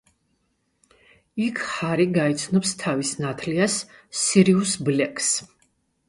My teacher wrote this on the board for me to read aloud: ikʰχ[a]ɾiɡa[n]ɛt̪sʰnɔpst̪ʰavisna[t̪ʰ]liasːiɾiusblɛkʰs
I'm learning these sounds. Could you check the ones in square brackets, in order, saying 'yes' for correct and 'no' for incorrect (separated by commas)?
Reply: yes, no, yes